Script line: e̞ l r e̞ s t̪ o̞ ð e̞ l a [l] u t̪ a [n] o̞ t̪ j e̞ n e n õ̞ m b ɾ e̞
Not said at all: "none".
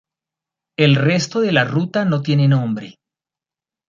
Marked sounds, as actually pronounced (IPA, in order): r, n

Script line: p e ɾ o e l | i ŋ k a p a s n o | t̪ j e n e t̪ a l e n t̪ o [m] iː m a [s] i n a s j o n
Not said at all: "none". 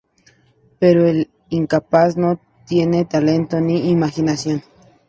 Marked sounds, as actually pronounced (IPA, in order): n, x

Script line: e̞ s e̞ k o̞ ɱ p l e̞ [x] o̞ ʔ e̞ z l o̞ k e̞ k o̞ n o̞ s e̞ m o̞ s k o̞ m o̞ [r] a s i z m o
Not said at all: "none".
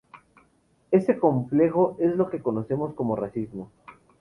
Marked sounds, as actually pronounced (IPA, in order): x, r

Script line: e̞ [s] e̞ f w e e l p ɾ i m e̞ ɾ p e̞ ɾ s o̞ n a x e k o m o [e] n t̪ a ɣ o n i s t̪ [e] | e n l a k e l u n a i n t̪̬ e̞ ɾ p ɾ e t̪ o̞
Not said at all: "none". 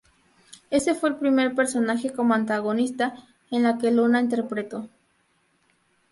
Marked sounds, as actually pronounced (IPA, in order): s, a, a

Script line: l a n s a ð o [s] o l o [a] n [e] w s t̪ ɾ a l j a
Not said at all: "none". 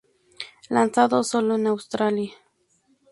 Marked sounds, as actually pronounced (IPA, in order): s, e, a

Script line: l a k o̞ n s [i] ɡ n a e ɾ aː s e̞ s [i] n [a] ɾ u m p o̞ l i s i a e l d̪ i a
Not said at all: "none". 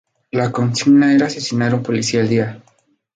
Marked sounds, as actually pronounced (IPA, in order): i, i, a

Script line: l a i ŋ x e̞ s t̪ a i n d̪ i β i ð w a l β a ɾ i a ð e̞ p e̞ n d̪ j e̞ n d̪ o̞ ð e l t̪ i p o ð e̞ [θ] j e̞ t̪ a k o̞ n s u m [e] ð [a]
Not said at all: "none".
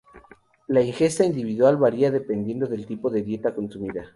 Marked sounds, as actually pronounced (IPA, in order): ð, i, a

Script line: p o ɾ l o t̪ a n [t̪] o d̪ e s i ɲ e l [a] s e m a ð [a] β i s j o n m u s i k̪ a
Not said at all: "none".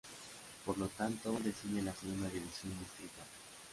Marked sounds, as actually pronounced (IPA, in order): t̪, a, i

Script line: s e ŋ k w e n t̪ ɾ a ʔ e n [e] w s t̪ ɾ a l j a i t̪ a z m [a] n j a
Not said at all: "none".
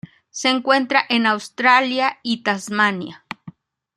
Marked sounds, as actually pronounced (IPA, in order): a, a

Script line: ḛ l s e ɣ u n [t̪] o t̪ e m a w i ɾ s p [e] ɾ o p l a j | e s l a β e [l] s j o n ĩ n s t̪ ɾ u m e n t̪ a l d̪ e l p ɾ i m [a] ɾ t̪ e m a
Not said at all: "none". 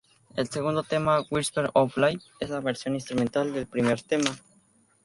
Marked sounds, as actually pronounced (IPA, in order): d̪, e, ɾ, e

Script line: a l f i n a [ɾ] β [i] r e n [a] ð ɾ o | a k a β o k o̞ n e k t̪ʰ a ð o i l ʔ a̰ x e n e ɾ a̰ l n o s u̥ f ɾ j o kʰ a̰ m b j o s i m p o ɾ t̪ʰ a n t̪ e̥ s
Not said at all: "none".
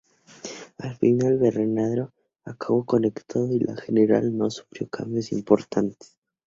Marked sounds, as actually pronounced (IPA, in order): l, e, a

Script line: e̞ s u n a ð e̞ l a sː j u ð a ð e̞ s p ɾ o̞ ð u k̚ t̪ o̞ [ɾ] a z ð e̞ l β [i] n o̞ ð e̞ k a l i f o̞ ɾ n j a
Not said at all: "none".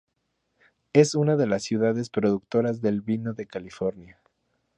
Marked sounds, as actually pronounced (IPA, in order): ɾ, i

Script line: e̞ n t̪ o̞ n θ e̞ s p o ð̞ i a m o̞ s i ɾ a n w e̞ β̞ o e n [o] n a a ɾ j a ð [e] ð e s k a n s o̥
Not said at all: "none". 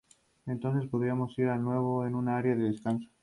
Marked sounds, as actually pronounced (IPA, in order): u, e

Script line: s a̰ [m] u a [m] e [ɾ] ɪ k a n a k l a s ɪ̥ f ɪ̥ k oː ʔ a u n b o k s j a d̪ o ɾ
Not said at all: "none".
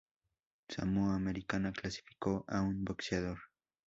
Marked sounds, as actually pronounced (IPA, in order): m, m, ɾ

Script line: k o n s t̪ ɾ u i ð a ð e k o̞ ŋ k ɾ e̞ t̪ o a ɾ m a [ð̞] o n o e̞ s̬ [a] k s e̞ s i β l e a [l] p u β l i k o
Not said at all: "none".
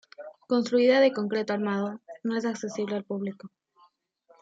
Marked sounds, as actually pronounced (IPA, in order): ð̞, a, l

